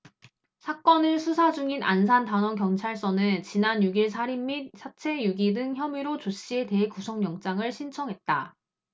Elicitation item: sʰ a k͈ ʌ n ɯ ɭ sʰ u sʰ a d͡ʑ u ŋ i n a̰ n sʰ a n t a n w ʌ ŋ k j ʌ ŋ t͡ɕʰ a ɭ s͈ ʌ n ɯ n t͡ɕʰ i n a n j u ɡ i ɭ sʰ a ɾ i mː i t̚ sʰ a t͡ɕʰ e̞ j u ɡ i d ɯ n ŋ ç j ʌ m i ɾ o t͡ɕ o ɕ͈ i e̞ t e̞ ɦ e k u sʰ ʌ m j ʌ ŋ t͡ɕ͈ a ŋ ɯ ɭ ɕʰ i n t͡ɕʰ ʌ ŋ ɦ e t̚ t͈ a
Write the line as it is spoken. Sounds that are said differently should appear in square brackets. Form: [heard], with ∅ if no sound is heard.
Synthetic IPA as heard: sʰ a k͈ ʌ n ɯ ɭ sʰ u sʰ a d͡ʑ u ŋ i n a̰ n sʰ a n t a n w ʌ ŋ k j ʌ ŋ t͡ɕʰ a ɭ s͈ ʌ n ɯ n [t͡ɕ] i n a n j u ɡ i ɭ sʰ a ɾ i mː i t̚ sʰ a t͡ɕʰ e̞ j u ɡ i d ɯ [∅] ŋ ç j ʌ m i ɾ o t͡ɕ o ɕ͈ i e̞ t e̞ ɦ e k u sʰ ʌ [ŋ] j ʌ ŋ t͡ɕ͈ a ŋ ɯ ɭ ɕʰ i n t͡ɕʰ ʌ ŋ ɦ e t̚ t͈ a